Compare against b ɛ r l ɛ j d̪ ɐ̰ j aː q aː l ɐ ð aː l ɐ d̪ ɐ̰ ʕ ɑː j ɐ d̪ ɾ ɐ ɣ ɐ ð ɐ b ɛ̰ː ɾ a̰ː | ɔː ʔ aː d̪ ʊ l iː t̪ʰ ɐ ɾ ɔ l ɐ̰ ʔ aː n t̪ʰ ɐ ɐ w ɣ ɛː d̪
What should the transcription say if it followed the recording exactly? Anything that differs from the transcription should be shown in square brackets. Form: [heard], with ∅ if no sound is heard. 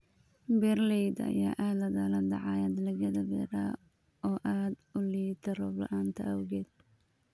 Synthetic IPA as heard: b ɛ r l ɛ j d̪ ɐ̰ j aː [ʔ] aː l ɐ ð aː l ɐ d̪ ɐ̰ ʕ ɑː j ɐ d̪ [l] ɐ ɣ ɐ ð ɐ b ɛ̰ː ɾ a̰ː | ɔː ʔ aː d̪ ʊ l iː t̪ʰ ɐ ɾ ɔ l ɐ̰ ʔ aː n t̪ʰ ɐ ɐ w ɣ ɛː d̪